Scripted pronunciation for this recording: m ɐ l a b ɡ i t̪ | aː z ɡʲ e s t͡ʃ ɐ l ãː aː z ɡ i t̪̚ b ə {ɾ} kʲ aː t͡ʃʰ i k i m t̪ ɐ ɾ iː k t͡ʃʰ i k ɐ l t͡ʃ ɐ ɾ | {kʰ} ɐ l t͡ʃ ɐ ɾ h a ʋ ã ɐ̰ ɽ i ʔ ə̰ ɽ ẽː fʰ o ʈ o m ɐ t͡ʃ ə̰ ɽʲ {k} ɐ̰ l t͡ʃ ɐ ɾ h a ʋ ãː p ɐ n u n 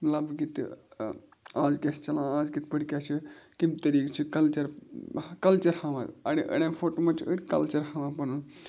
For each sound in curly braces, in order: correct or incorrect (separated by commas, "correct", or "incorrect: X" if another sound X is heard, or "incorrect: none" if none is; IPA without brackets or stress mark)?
incorrect: ɽ, incorrect: k, correct